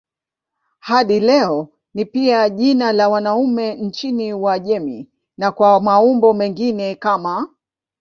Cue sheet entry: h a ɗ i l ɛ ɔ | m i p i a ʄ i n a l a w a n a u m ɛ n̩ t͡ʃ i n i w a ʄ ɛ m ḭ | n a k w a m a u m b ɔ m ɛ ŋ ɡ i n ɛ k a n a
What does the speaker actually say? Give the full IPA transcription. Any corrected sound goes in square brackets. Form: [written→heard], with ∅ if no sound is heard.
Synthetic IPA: h a ɗ i l ɛ ɔ | [m→n] i p i a ʄ i n a l a w a n a u m ɛ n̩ t͡ʃ i n i w a ʄ ɛ m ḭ | n a k w a m a u m b ɔ m ɛ ŋ ɡ i n ɛ k a [n→m] a